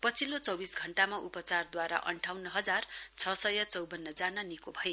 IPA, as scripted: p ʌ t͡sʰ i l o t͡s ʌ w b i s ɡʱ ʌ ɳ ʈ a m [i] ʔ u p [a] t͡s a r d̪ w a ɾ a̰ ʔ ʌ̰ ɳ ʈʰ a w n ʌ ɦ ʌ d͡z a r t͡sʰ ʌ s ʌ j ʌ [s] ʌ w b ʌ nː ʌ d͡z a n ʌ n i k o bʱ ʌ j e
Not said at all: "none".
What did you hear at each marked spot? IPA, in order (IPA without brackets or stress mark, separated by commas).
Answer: a, ʌ, t͡s